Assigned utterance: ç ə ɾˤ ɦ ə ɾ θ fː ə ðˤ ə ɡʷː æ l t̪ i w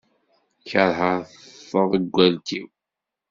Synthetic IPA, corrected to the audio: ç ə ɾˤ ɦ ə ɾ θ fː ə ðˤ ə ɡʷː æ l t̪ i w